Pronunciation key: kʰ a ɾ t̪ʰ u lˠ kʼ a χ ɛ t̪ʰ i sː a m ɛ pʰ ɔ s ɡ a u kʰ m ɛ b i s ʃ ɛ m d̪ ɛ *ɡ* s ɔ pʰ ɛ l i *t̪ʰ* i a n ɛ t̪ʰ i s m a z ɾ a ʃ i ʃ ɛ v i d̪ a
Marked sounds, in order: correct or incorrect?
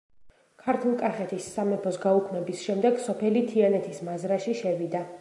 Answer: correct, correct

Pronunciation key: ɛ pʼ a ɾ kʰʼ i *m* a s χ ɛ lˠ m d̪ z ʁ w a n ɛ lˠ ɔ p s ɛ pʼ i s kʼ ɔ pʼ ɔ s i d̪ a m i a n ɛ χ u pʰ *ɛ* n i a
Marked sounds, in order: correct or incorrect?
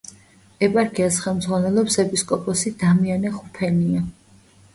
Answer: incorrect, correct

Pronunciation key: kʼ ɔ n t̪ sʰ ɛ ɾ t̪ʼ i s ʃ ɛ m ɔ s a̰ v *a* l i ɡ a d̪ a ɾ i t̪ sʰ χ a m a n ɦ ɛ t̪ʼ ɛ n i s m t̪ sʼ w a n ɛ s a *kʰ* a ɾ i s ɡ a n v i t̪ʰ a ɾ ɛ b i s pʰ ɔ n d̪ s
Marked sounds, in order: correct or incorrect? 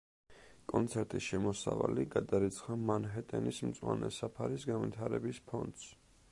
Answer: correct, incorrect

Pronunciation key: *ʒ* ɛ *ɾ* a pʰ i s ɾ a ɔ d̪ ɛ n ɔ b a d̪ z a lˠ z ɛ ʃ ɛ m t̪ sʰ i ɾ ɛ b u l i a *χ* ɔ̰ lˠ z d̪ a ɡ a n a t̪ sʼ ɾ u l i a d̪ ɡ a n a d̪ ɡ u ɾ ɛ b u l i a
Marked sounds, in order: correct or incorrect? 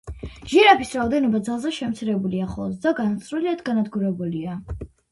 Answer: correct, correct, correct

